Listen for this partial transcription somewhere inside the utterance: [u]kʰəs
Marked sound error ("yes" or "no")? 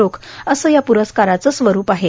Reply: yes